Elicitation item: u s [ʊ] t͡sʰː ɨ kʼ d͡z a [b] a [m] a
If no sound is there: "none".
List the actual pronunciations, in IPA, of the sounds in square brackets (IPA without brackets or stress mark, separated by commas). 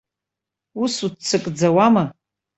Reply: u, w, m